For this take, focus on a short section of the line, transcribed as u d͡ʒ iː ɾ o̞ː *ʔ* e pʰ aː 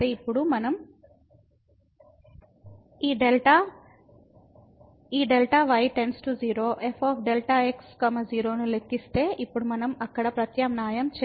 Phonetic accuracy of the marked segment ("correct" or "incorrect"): correct